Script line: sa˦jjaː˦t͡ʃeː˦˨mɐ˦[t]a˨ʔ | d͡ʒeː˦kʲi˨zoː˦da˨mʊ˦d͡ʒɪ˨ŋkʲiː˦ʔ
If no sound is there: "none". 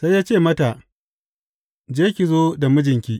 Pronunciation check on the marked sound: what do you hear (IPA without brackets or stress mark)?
t